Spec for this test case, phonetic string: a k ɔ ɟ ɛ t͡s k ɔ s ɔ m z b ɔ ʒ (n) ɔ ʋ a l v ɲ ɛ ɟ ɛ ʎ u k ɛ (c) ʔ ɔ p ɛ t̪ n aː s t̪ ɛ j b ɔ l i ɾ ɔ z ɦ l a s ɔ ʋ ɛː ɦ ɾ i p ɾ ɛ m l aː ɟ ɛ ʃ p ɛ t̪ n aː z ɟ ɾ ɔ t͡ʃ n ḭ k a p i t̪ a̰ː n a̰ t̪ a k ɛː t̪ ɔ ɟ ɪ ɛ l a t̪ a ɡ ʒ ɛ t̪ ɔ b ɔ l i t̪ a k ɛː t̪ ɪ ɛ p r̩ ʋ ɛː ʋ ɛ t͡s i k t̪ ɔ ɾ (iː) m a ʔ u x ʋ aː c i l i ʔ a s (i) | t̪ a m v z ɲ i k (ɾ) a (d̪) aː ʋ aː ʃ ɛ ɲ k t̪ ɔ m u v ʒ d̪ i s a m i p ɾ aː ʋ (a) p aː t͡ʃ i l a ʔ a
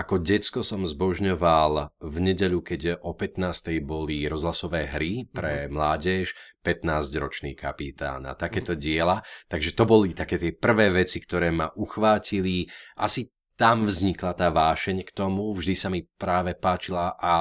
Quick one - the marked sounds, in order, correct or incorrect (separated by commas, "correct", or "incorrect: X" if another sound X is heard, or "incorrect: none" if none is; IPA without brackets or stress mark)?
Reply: incorrect: ɲ, incorrect: ɟ, incorrect: ɛː, correct, incorrect: l, incorrect: t̪, incorrect: ɛ